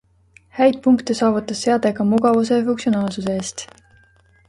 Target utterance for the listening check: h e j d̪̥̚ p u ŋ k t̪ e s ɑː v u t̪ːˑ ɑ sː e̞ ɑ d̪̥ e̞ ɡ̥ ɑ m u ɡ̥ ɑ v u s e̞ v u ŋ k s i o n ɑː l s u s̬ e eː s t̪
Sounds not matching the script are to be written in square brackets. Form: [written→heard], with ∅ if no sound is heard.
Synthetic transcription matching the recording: h [e→æ] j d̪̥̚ p u ŋ k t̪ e s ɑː v u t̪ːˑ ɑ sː e̞ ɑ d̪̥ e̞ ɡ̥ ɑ m u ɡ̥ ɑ v u s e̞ [v→f] u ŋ k s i o n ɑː l s u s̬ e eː s t̪

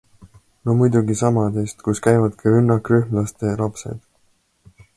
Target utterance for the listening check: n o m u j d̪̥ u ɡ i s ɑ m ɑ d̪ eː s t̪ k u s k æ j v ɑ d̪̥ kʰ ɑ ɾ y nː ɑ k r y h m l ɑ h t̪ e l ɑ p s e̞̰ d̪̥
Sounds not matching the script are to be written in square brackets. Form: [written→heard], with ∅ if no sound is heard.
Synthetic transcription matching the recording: n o m u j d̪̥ u ɡ i s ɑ m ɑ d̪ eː s t̪ k u s k æ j v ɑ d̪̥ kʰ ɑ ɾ y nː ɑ k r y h m l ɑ [h→s] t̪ e l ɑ p s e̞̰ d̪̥

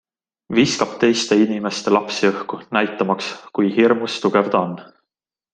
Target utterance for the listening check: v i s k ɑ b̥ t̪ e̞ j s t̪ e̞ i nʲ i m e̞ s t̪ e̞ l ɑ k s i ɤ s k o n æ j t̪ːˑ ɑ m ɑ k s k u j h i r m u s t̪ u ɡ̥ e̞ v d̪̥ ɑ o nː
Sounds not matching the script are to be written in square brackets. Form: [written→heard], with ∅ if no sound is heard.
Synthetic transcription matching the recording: v i s k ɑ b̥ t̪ e̞ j s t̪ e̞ i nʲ i m e̞ s t̪ e̞ l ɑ [k→p] s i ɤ [s→h] k [o→u] n æ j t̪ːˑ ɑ m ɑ k s k u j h i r m u s t̪ u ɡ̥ e̞ v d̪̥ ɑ o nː

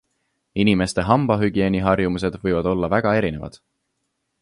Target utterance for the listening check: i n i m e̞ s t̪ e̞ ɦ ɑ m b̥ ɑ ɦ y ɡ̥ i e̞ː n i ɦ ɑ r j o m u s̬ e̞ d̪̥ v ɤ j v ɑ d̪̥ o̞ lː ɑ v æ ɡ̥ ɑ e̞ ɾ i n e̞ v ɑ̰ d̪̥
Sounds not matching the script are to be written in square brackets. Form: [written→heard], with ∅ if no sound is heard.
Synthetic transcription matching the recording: i n i m e̞ s t̪ e̞ ɦ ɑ m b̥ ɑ ɦ y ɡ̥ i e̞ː n i ɦ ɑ r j [o→u] m u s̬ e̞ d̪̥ v ɤ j v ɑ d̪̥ o̞ lː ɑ v æ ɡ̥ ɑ e̞ ɾ i n e̞ v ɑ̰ d̪̥

